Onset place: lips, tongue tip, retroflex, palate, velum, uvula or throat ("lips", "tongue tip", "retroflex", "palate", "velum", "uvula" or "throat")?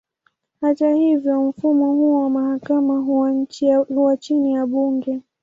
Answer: throat